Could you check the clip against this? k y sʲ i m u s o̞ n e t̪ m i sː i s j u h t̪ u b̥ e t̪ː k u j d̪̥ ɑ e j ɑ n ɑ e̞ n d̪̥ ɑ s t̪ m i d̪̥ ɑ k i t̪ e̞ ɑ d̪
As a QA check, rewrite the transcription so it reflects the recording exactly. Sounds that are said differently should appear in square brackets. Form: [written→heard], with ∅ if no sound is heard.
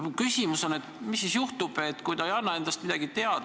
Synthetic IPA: k y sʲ i m u s o̞ n e t̪ m i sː i s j u h t̪ u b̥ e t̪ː k u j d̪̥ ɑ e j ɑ [n→nː] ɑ e̞ n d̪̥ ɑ s t̪ m i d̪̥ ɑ [k→ɡ] i t̪ e̞ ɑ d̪

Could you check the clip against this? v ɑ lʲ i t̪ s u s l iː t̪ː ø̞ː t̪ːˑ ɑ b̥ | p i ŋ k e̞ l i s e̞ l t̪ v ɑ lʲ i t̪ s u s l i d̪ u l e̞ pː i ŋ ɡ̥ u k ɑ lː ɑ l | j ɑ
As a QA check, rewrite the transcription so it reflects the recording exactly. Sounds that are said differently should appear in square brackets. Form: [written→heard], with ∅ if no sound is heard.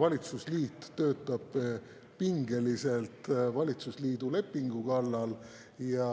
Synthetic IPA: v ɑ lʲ i t̪ s u s l iː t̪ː ø̞ː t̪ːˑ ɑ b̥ | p i ŋ [k→ɡ] e̞ l i s e̞ l t̪ v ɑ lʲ i t̪ s u s l [i→iː] d̪ u l e̞ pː i ŋ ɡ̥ u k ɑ lː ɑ l | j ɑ

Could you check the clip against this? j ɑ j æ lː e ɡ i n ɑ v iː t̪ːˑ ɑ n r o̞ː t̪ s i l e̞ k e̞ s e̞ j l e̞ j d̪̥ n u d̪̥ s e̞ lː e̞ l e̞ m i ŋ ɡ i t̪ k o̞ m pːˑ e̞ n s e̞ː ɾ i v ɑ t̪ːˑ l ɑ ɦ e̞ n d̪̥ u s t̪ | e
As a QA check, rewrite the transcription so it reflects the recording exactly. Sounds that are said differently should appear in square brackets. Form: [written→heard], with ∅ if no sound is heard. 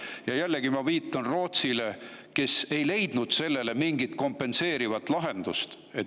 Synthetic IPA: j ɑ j æ lː e ɡ i [n→m] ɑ v iː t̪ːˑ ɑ n r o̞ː t̪ s i l e̞ k e̞ s e̞ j l e̞ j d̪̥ n u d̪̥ s e̞ lː e̞ l e̞ m i ŋ ɡ i t̪ k o̞ m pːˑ e̞ n s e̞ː ɾ i v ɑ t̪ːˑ l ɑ ɦ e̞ n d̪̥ u s t̪ | e

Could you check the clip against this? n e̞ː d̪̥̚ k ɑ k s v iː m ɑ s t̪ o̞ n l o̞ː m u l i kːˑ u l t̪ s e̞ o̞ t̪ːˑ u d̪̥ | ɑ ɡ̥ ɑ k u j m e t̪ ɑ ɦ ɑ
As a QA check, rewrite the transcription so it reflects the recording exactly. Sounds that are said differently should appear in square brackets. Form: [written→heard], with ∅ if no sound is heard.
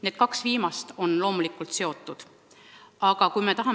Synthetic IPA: n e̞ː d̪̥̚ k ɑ k s v iː m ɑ s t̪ o̞ n l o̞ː m u l i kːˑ u l t̪ s e̞ o̞ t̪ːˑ u d̪̥ | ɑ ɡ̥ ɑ k u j m e t̪ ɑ ɦ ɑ

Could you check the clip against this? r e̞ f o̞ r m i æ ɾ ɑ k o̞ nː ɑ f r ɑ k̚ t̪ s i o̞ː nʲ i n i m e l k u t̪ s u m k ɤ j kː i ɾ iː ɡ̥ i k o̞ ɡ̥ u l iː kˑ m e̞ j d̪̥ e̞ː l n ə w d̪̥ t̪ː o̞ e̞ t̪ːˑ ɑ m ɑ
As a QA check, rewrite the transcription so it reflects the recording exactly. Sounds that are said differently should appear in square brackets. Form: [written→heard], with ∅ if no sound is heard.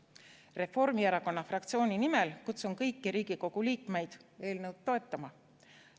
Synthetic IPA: r e̞ f o̞ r m i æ ɾ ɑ k o̞ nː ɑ f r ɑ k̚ t̪ s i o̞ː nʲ i n i m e l k u t̪ s u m k ɤ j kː i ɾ iː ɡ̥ i k o̞ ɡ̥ u l iː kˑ m e̞ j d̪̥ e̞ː l n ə w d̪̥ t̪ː o̞ e̞ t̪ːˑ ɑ m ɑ

